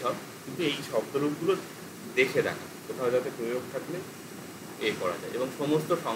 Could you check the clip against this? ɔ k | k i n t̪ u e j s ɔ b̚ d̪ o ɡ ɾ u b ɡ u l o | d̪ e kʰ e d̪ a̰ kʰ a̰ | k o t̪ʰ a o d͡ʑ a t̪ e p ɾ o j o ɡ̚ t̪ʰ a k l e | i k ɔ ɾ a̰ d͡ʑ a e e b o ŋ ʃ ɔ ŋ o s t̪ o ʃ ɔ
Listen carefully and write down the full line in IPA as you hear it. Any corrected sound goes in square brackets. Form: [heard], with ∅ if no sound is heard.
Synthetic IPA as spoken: ɔ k | k i n t̪ u e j [ʃ] ɔ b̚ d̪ o [∅] ɾ u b ɡ u l o | d̪ e kʰ e d̪ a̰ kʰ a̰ | k o t̪ʰ a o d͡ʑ a t̪ e p ɾ o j o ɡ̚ t̪ʰ a k l e | [e] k ɔ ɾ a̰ d͡ʑ a e e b o ŋ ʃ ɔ [m] o s t̪ o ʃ ɔ